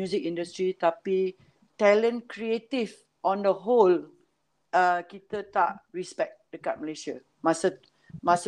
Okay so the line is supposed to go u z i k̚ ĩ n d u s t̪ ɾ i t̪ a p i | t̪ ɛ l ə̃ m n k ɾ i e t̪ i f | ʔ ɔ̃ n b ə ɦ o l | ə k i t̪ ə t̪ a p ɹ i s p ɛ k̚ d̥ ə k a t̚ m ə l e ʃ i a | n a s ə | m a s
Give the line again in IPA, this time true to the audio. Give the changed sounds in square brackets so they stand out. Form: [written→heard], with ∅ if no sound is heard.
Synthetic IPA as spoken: u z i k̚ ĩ n d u s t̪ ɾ i t̪ a p i | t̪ ɛ l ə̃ [m→∅] n k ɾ i e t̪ i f | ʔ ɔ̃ n [b→d] ə ɦ o l | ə k i t̪ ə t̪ a [p→ʔ] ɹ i s p ɛ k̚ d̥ ə k a t̚ m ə l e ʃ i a | [n→m] a s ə | m a s